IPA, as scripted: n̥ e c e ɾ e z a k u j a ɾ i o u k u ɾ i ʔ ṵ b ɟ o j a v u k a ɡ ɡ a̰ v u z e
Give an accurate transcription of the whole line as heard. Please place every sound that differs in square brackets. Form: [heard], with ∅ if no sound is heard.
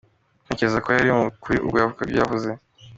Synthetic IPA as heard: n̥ e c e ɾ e z a k [o] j a ɾ i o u k u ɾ i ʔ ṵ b [ɡ] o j a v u k a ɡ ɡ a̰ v u z e